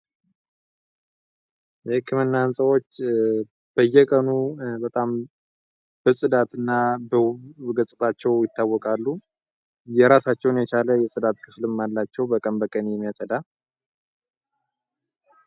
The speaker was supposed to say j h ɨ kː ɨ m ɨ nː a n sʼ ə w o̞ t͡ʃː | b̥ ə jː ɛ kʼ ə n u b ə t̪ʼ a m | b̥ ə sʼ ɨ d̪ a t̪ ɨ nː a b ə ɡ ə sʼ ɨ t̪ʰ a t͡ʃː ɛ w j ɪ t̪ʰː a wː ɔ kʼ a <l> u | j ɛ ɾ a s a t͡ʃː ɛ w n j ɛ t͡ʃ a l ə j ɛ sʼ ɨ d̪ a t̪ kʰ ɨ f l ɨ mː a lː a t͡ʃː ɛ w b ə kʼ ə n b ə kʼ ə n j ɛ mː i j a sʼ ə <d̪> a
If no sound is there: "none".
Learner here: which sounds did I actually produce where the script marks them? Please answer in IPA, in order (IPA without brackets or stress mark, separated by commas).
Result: lː, d̪